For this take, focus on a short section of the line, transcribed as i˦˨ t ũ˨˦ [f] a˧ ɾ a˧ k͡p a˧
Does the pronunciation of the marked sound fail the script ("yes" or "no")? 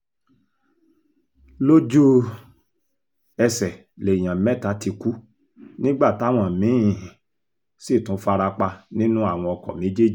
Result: no